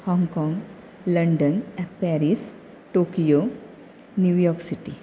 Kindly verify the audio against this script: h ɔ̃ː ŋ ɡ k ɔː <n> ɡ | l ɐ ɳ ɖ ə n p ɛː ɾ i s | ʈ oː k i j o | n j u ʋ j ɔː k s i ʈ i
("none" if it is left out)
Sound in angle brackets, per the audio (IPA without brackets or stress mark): ŋ